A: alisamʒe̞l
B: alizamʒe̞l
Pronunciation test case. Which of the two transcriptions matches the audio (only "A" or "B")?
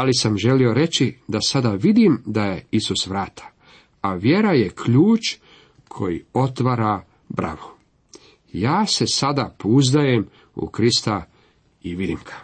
A